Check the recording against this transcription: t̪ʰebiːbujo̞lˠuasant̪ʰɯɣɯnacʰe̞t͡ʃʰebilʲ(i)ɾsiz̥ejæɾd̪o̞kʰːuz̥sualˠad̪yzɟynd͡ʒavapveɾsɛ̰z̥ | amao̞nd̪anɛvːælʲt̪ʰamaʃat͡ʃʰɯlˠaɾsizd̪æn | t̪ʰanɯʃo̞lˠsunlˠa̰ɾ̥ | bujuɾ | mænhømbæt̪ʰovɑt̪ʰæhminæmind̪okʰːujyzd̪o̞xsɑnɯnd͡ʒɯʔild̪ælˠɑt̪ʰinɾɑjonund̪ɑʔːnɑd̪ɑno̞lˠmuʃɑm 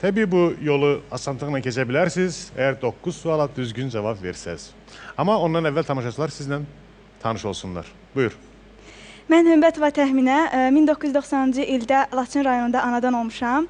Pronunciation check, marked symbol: incorrect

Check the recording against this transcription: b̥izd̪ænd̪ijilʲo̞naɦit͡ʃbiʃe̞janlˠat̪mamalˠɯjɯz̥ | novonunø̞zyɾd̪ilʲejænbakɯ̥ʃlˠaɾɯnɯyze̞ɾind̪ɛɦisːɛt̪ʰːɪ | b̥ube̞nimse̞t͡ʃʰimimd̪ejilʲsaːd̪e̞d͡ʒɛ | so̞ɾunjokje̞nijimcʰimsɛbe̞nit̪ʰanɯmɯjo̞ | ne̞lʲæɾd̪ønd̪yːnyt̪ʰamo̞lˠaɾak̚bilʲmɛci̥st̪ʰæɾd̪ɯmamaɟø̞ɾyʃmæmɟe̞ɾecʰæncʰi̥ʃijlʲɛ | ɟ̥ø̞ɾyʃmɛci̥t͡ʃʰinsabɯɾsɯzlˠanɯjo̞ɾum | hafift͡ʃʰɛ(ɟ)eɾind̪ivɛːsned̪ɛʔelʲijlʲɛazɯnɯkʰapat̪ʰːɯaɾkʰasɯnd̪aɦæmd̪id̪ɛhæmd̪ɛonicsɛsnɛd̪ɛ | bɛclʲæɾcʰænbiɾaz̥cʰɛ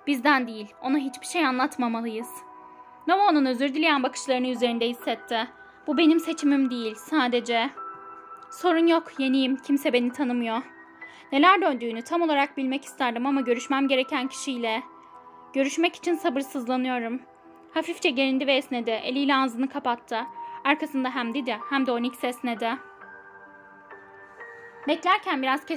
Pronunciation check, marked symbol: correct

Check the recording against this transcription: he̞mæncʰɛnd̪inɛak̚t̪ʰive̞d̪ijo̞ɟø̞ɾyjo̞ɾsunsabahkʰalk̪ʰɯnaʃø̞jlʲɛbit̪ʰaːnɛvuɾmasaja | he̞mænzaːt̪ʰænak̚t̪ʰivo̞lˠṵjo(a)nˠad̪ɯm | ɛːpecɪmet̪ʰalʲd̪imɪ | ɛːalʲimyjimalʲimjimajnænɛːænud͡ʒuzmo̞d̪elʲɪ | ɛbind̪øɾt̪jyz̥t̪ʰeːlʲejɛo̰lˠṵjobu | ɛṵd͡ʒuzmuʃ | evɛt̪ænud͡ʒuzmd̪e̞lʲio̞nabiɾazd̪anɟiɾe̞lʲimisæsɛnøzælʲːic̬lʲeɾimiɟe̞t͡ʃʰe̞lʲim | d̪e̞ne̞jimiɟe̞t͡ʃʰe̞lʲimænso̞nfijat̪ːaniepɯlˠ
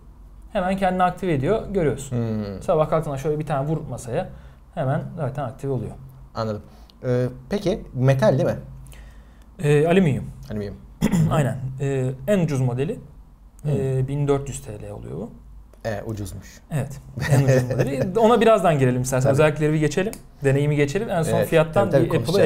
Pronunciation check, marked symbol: correct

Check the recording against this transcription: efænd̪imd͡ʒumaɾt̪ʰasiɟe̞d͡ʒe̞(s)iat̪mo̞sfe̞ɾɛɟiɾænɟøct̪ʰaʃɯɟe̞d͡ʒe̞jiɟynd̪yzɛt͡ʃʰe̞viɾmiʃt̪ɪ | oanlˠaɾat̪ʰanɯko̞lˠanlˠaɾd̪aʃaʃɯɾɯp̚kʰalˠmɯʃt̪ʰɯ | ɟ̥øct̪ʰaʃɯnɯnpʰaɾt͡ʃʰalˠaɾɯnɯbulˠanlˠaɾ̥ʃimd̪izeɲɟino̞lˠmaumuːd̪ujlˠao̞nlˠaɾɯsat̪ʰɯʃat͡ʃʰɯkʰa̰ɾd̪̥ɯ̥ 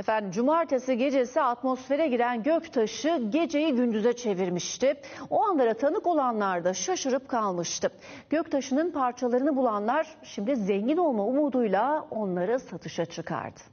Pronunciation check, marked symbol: correct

